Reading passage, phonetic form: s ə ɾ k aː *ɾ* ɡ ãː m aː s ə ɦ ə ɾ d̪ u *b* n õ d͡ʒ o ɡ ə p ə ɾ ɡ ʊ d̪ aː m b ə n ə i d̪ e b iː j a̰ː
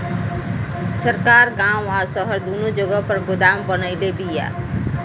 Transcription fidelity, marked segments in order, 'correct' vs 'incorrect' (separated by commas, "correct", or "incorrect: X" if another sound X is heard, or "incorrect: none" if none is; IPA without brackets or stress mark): correct, incorrect: none